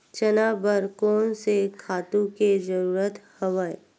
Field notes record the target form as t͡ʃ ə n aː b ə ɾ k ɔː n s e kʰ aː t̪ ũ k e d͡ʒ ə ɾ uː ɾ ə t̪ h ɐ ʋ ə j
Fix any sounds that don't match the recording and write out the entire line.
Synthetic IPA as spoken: t͡ʃ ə n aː b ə ɾ k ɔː n s e kʰ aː t̪ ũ k e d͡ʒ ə ɾ uː ɾ ə t̪ h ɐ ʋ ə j

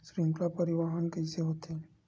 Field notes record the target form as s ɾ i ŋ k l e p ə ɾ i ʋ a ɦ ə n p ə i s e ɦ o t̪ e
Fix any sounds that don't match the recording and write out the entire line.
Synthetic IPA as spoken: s ɾ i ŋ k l a p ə ɾ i ʋ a ɦ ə n k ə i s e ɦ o t̪ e

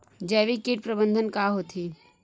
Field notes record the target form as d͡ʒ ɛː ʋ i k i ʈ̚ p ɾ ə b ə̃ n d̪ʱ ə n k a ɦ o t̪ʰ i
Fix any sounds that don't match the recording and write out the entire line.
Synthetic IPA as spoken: d͡ʒ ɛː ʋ i k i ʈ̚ p ɾ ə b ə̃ n d̪ʱ ə n k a ɦ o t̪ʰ i

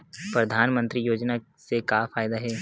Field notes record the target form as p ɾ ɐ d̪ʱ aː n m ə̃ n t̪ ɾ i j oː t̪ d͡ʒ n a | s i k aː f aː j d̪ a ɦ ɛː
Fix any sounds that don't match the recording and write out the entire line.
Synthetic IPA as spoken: p ɾ ɐ d̪ʱ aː n m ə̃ n t̪ ɾ i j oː d͡ʒ n a | s e k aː f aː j d̪ a ɦ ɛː

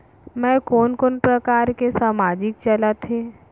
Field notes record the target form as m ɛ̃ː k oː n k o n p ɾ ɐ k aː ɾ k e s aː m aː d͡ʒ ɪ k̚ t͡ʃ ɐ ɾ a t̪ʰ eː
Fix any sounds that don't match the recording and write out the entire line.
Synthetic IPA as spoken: m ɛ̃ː k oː n k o n p ɾ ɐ k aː ɾ k e s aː m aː d͡ʒ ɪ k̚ t͡ʃ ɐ l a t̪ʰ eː

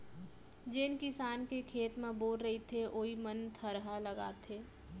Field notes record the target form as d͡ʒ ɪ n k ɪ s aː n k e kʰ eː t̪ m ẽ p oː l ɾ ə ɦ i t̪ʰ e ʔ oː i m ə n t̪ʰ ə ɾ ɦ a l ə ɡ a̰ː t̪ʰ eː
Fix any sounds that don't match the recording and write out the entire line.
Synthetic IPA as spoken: d͡ʒ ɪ n k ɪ s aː n k e kʰ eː t̪ m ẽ b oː l ɾ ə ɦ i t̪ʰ e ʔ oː i m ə n t̪ʰ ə ɾ ɦ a l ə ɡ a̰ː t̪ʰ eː

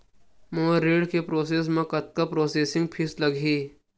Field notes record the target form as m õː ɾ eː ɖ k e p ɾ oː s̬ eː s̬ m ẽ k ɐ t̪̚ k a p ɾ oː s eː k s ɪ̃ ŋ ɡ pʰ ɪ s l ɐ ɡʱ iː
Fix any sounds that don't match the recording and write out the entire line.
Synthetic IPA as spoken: m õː ɾ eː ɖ k e p ɾ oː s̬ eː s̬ m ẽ k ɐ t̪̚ k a p ɾ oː s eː s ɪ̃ ŋ ɡ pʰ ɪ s l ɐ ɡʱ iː

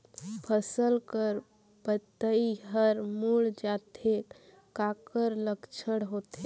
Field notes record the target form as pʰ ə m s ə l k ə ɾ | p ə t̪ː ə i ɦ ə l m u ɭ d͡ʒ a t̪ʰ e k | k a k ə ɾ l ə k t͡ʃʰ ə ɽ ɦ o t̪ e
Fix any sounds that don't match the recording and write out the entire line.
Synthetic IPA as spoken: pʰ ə s ə l k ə ɾ | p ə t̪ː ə i ɦ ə ɾ m u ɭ d͡ʒ a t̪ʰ e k | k a k ə ɾ l ə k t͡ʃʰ ə ɽ ɦ o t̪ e

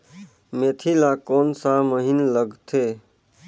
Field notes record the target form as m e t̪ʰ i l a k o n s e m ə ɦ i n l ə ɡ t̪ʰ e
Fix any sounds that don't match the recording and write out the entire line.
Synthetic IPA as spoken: m e t̪ʰ i l a k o n s a m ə ɦ i n l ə ɡ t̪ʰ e

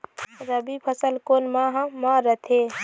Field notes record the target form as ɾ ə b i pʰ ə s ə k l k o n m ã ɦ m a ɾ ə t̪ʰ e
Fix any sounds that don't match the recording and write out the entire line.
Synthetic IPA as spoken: ɾ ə b i pʰ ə s ə l k o n m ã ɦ m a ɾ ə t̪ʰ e

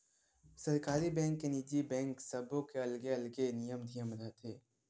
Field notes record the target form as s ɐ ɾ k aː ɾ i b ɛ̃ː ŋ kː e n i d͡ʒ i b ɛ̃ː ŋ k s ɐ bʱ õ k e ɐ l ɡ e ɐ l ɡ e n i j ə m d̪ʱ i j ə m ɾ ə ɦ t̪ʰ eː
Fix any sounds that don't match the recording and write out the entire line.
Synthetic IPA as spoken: s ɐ ɾ k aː ɾ i b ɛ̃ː ŋ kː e n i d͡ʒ i b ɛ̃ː ŋ k s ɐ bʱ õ k e ɐ l ɡ e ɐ l ɡ e n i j ə m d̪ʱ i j ə m ɾ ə ɦ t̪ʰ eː

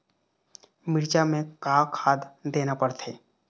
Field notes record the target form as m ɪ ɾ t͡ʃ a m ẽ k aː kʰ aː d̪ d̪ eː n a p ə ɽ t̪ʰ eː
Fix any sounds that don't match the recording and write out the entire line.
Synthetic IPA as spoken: m ɪ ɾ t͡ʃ a m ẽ k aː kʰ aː d̪ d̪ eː n a p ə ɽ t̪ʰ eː

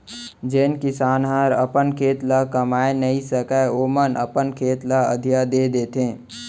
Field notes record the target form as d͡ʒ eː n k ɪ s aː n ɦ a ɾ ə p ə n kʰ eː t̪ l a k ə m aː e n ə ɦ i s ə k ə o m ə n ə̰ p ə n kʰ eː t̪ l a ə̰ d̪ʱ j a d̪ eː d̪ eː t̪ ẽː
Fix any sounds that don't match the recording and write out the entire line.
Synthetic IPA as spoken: d͡ʒ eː n k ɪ s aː n ɦ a ɾ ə p ə n kʰ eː t̪ l a k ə m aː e n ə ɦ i s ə k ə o m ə n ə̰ p ə n kʰ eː t̪ l a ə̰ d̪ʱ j a d̪ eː d̪ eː t̪ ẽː

